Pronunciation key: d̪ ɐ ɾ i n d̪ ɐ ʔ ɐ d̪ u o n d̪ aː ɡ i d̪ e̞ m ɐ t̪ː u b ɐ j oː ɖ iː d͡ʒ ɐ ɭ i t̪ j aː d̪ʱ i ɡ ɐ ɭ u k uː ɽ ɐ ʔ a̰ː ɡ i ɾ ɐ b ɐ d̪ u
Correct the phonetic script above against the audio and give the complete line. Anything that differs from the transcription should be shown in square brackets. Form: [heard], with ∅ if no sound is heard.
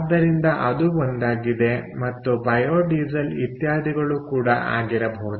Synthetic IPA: d̪ ɐ ɾ i n d̪ ɐ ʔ ɐ d̪ u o n d̪ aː ɡ i d̪ e̞ m ɐ t̪ː u b ɐ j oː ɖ iː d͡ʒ ɐ [l] i t̪ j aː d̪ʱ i ɡ ɐ ɭ u k uː ɽ ɐ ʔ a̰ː ɡ i ɾ ɐ b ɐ d̪ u